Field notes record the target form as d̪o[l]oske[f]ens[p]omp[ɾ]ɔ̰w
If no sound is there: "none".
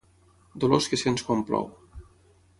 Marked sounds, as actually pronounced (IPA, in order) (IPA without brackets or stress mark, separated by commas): l, s, k, l